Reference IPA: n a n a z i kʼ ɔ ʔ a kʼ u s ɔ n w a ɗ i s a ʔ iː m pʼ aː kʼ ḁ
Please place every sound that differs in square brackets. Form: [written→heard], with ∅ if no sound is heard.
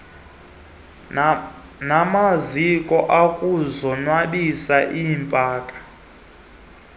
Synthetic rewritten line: n a [n→m] a z i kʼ ɔ ʔ a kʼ u [s→z] ɔ n w a ɗ i s a ʔ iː m pʼ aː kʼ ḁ